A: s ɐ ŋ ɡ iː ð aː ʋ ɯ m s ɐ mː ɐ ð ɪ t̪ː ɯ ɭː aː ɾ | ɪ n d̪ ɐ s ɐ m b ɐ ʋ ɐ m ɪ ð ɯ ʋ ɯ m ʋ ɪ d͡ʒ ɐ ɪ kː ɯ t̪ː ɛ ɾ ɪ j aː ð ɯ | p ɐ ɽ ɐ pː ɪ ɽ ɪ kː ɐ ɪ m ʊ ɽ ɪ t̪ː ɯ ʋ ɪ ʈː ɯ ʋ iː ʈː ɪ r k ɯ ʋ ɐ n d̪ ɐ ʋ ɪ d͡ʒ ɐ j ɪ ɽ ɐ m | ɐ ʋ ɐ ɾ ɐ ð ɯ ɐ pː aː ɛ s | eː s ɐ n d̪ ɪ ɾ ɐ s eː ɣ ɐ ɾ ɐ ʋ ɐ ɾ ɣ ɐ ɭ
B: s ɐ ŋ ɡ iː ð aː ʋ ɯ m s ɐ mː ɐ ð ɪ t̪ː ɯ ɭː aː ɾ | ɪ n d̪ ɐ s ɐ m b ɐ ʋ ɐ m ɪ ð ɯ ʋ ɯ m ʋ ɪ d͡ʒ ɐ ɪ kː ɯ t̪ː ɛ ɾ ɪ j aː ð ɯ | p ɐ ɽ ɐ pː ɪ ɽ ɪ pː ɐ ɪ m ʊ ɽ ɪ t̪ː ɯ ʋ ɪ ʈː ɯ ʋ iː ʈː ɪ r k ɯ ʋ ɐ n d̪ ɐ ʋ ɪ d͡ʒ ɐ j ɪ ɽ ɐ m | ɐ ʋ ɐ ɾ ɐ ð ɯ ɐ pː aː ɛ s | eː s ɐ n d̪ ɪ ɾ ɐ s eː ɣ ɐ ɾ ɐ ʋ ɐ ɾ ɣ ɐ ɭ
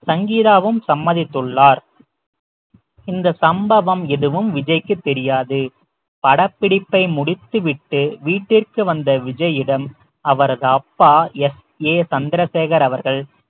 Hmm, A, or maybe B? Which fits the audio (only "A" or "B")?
B